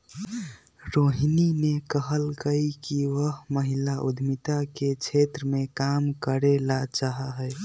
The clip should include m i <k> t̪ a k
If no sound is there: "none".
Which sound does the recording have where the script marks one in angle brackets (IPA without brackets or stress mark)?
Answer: none